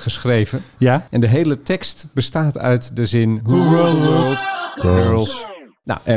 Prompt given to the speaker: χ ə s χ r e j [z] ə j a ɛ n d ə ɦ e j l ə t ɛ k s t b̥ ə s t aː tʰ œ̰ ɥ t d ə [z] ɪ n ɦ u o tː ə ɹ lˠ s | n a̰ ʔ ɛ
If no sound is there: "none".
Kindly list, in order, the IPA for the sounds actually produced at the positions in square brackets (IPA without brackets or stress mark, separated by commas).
v, z